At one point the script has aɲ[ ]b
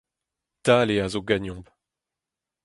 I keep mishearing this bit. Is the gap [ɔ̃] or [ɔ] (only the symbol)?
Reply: ɔ̃